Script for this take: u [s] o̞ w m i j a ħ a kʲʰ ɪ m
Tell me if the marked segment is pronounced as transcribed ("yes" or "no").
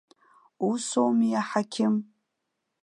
yes